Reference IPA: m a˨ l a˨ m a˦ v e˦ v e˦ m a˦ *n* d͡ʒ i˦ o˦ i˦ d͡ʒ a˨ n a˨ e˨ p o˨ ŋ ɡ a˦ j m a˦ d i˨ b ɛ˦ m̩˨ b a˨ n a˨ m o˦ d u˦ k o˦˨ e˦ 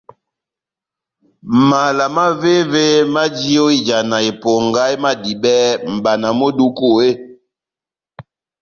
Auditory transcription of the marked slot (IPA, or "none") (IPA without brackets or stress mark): none